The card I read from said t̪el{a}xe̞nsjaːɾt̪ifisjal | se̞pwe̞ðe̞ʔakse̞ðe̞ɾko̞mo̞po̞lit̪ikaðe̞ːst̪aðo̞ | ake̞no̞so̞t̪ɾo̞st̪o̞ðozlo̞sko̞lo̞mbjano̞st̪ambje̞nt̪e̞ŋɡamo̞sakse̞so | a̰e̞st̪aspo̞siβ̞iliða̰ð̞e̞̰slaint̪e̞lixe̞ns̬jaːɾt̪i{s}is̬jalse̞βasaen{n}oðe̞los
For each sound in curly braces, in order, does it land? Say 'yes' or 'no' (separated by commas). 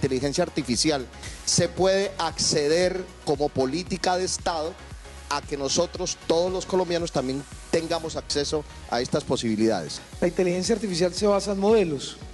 no, no, no